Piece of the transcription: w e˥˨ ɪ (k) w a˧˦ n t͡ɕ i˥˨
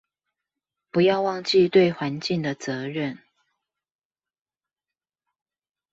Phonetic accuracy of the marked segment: incorrect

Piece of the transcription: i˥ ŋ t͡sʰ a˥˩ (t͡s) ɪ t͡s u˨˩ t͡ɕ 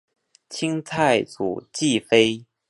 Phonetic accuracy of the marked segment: incorrect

